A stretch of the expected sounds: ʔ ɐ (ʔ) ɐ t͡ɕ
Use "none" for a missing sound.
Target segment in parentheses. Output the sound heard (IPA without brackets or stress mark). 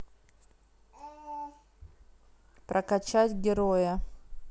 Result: k